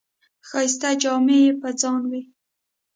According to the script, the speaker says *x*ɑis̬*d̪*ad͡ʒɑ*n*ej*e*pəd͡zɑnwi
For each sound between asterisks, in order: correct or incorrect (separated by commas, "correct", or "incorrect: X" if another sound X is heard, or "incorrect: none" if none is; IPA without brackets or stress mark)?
correct, incorrect: t̪, incorrect: m, correct